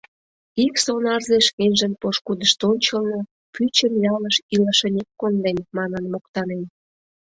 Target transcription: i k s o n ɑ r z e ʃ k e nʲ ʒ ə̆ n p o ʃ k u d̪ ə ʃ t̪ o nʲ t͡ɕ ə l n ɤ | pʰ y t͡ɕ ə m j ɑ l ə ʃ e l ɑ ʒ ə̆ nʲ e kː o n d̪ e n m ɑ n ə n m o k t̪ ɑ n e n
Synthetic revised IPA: i k s o n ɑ r z e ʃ k e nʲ ʒ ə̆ n p o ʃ k u d̪ ə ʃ t̪ o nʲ t͡ɕ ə l n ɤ | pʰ y t͡ɕ ə m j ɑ l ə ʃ i l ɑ ʃ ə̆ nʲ e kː o n d̪ e n m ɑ n ə n m o k t̪ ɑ n e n